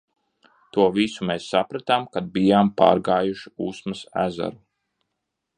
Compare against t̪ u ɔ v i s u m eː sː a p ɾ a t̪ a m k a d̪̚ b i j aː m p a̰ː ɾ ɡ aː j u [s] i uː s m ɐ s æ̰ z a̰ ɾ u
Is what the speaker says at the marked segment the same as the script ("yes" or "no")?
no